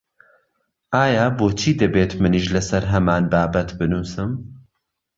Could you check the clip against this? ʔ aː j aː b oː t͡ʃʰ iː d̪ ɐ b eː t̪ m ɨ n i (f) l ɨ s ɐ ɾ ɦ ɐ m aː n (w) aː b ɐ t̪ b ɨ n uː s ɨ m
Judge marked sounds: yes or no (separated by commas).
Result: no, no